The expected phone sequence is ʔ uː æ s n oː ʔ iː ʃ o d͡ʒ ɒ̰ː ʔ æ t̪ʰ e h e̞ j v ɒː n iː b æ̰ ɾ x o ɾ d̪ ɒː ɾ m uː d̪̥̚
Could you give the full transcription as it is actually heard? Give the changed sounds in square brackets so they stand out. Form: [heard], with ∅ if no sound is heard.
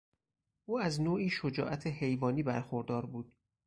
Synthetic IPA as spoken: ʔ uː æ [z] n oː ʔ iː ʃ o d͡ʒ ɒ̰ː ʔ æ t̪ʰ e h e̞ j v ɒː n iː b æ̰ ɾ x o ɾ d̪ ɒː ɾ [b] uː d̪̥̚